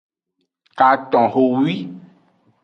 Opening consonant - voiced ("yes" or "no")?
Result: no